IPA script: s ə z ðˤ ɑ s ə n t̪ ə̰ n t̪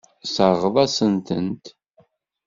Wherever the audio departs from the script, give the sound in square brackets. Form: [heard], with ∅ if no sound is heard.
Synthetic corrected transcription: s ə [ʁ] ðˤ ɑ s ə n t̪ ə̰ n t̪